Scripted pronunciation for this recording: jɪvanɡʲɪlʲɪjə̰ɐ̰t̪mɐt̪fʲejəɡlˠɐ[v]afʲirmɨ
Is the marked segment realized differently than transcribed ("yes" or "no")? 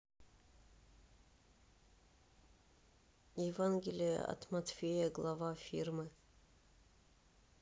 no